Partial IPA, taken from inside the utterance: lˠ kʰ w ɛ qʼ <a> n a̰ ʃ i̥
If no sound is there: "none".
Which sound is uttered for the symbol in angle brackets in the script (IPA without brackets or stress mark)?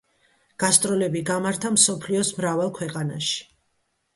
a